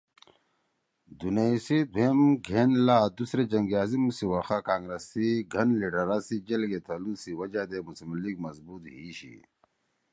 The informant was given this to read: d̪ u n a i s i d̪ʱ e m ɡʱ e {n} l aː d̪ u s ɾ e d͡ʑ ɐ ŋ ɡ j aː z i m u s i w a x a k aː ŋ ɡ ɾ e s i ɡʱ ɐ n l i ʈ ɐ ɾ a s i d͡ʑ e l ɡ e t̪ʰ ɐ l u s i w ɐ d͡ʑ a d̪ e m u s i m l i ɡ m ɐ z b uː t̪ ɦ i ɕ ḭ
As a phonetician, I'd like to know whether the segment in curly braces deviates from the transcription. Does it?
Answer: no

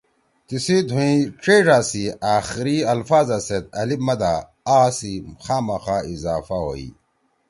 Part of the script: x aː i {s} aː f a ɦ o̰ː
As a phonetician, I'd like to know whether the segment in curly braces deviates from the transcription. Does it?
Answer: yes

